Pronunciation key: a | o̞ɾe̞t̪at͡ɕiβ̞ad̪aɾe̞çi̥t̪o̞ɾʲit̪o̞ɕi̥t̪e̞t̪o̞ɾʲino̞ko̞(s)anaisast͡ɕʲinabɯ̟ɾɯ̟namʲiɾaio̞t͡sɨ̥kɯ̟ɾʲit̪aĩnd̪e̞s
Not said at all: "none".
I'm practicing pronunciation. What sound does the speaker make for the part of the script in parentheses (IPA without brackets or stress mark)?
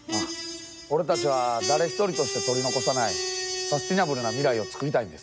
s